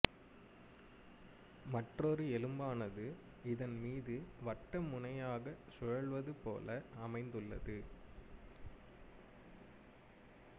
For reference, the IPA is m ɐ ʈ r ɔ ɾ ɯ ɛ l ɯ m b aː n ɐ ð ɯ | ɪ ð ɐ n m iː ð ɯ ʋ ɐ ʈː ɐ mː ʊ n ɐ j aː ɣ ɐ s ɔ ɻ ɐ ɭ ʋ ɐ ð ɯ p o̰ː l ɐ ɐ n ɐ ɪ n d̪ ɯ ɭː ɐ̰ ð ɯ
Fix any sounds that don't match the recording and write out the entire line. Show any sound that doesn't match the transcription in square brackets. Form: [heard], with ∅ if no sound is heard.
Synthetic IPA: m ɐ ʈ r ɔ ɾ ɯ ɛ l ɯ m b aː n ɐ ð ɯ | ɪ ð ɐ n m iː ð ɯ ʋ ɐ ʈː ɐ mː ʊ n ɐ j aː ɣ ɐ s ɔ ɻ ɐ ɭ ʋ ɐ ð ɯ p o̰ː l ɐ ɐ [m] ɐ ɪ n d̪ ɯ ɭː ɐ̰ ð ɯ